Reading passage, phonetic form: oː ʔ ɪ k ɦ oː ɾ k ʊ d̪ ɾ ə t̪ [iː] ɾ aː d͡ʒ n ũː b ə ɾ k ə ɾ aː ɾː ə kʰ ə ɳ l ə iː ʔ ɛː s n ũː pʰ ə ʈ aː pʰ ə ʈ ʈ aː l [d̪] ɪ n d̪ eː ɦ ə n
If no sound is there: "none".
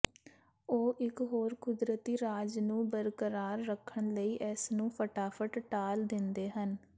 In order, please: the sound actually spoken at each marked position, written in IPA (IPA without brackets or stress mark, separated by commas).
iː, d̪